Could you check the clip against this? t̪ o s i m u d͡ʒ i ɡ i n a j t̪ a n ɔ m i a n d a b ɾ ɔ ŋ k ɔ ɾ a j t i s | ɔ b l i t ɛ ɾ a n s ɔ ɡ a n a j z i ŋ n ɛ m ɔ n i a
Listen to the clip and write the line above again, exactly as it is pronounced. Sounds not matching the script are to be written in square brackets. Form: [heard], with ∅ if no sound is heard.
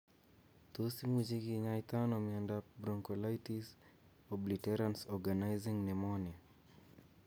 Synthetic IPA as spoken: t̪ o s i m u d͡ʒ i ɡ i [ɲ] a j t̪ a n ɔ m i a n d a b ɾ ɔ ŋ k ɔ [l] a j t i s | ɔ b l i t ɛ ɾ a n s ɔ ɡ a n a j z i ŋ n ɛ m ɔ n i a